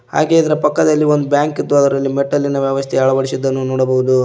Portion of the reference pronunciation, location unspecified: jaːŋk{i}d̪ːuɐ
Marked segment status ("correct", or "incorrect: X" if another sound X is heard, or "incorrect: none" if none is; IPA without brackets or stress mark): correct